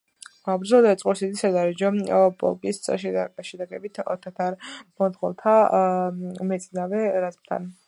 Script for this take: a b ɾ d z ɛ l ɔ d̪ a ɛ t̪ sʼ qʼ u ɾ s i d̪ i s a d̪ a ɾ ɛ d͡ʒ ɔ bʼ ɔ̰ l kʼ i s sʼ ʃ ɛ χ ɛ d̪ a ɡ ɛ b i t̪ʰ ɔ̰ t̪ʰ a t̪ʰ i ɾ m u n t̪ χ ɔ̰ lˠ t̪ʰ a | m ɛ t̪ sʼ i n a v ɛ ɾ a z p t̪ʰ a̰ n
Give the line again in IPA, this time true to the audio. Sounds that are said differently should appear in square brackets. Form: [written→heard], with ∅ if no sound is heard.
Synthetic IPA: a b ɾ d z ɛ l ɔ d̪ a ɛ t̪ sʼ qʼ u ɾ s i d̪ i s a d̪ a ɾ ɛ d͡ʒ ɔ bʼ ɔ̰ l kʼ i s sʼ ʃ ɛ [χ→ʃ] ɛ d̪ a ɡ ɛ b i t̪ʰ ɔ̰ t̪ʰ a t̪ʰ [i→a] ɾ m [u→ɔ] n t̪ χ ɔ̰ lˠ t̪ʰ a | m ɛ t̪ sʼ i n a v ɛ ɾ a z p t̪ʰ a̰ n